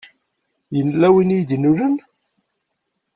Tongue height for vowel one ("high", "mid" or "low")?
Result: mid